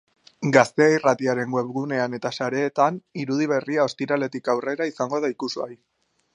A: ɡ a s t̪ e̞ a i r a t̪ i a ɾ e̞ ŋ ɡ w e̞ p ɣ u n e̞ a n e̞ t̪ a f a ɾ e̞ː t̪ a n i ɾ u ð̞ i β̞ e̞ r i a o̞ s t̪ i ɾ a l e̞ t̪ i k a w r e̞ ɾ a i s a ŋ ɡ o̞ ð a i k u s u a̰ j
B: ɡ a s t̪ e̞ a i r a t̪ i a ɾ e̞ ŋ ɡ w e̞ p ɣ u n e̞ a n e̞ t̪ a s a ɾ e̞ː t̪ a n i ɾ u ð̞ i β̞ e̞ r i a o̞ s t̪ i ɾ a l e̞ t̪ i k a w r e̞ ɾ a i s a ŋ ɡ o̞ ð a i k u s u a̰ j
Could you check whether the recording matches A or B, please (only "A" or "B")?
B